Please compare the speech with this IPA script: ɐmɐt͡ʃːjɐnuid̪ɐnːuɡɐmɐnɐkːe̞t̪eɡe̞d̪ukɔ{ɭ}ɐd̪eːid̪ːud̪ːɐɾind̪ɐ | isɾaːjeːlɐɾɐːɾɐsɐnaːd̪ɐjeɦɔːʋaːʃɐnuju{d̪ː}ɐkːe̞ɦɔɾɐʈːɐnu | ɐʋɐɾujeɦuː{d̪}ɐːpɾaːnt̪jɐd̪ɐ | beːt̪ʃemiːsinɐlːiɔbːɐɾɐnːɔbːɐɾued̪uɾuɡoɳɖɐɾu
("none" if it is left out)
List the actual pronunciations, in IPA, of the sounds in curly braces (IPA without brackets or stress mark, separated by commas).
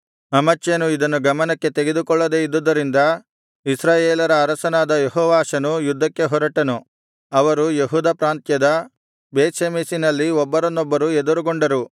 ɭː, d̪ː, d̪